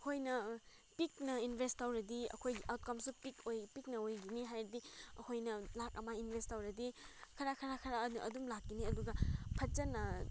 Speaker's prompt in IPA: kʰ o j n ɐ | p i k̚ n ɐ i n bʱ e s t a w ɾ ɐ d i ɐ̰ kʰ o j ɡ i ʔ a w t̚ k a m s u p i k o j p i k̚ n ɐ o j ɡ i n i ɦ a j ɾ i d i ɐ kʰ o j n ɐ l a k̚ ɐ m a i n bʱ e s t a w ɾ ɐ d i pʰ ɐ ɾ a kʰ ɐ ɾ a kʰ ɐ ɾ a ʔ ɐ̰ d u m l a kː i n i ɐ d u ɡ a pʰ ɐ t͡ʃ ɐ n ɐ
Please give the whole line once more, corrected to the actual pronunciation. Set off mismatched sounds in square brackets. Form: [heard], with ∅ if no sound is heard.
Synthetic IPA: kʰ o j n ɐ | p i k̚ n ɐ i n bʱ e s t a w ɾ ɐ d i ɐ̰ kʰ o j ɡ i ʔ a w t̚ k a m s u p i k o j p i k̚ n ɐ o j ɡ i n i ɦ a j ɾ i d i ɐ kʰ o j n ɐ l a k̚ ɐ m a i n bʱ e s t a w ɾ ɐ d i [kʰ] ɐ ɾ a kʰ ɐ ɾ a kʰ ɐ ɾ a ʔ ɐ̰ d u m l a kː i n i ɐ d u ɡ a pʰ ɐ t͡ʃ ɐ n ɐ

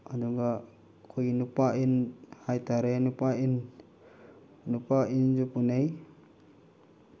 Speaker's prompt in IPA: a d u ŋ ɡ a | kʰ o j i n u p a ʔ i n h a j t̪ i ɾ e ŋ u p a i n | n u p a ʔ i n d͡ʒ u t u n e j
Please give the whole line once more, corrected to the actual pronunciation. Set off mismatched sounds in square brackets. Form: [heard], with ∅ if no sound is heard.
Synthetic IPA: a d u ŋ ɡ a | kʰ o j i n u p a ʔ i n h a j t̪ [a] ɾ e [n] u p a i n | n u p a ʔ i n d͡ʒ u [p] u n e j

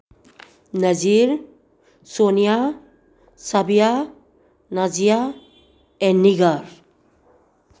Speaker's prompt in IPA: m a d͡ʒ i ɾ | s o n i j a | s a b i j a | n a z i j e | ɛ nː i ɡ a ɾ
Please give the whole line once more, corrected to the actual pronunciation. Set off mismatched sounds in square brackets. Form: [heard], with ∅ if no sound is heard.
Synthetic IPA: [n] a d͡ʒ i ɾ | s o n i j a | s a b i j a | n a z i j [a] | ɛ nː i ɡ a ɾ

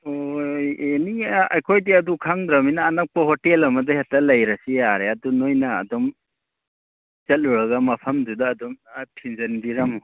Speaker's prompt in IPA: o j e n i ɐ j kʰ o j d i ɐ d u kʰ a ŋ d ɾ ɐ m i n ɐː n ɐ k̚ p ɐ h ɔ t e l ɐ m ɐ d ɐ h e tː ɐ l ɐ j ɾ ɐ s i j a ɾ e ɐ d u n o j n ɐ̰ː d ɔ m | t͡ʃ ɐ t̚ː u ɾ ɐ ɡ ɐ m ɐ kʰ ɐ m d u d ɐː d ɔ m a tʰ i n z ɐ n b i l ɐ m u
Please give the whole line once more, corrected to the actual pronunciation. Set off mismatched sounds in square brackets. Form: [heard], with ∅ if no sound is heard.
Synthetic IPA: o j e n i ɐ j kʰ o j d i ɐ d u kʰ a ŋ d ɾ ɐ m i n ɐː n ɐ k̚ p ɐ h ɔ t e l ɐ m ɐ d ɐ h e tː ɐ l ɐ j ɾ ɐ s i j a ɾ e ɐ d u n o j n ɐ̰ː d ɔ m | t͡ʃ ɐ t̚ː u ɾ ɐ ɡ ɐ m ɐ [pʰ] ɐ m d u d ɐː d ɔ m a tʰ i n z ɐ n b i [ɾ] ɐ m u

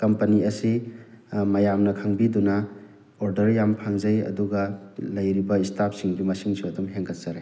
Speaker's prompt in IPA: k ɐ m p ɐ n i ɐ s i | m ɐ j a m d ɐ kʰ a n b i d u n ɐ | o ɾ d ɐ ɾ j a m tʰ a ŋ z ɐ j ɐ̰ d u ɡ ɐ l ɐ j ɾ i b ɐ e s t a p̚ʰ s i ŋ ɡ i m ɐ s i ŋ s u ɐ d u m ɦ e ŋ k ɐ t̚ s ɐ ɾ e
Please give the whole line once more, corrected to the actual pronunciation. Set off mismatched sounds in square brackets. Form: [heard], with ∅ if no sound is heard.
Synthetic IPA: k ɐ m p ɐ n i ɐ s i | m ɐ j a m [n] ɐ kʰ a [ŋ] b i d u n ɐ | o ɾ d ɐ ɾ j a m [pʰ] a ŋ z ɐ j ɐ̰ d u ɡ ɐ l ɐ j ɾ i b ɐ [i] s t a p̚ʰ s i ŋ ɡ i m ɐ s i ŋ s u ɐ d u m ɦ e ŋ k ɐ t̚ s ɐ ɾ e

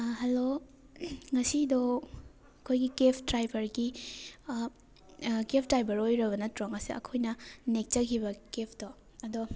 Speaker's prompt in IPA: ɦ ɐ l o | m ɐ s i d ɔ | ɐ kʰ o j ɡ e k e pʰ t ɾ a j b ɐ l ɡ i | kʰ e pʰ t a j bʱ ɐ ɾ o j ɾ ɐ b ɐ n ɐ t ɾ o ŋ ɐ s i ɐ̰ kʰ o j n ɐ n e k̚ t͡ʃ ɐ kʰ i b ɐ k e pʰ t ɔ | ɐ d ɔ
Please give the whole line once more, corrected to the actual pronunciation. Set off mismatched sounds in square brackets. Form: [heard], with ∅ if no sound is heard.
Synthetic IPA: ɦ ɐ l o | [ŋ] ɐ s i d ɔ | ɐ kʰ o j ɡ [i] k e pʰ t ɾ a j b ɐ [ɾ] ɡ i | [k] e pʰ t a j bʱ ɐ ɾ o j ɾ ɐ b ɐ n ɐ t ɾ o ŋ ɐ s i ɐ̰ kʰ o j n ɐ n e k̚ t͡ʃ ɐ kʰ i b ɐ k e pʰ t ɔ | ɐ d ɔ

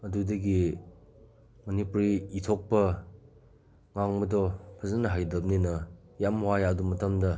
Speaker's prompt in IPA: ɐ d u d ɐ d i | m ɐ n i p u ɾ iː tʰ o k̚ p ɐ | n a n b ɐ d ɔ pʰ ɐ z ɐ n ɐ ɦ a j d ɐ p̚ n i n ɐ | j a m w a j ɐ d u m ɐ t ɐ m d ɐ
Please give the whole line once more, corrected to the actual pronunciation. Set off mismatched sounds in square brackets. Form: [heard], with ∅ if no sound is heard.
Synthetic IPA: ɐ d u d ɐ [ɡ] i | m ɐ n i p u ɾ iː tʰ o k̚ p ɐ | [ŋ] a [ŋ] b ɐ d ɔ pʰ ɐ z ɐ n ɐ ɦ a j d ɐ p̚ n i n ɐ | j a m w a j [a] d u m ɐ t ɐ m d ɐ

